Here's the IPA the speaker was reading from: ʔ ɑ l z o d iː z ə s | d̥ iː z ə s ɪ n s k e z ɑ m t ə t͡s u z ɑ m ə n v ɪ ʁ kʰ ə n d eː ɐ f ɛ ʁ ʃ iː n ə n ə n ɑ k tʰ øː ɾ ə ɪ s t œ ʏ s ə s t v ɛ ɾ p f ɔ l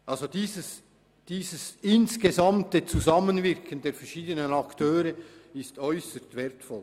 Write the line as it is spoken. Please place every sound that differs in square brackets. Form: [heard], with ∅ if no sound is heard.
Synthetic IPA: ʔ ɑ l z o d iː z ə s | d̥ iː z ə s ɪ n s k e z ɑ m t ə t͡s u z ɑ m ə n v ɪ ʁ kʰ ə n d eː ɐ f ɛ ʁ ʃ iː [d] ə n ə n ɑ k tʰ øː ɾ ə ɪ s t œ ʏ s ə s t v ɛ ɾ [t] f ɔ l